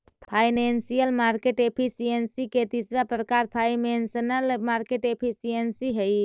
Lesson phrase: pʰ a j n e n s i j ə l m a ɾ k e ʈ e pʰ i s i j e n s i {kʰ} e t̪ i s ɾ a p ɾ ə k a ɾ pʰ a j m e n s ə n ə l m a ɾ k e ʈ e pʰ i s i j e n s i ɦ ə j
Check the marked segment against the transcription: incorrect: k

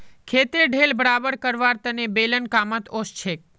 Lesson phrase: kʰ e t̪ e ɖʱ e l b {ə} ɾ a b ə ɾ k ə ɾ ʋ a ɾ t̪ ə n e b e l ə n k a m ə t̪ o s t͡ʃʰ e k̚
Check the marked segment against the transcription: correct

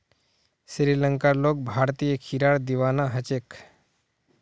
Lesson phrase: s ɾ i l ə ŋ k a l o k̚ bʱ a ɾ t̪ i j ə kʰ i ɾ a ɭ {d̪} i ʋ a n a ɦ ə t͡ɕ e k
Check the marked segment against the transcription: correct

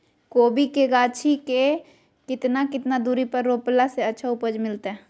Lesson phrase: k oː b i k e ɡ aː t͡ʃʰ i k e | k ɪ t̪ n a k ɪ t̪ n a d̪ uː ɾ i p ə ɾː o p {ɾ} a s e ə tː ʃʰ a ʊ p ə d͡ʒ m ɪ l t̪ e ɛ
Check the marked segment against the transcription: incorrect: l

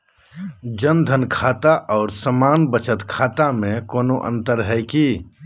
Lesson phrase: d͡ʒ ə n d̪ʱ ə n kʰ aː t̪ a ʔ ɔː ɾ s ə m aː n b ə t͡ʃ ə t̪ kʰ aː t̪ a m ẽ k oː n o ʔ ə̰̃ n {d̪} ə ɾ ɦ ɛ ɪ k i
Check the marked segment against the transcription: incorrect: t̪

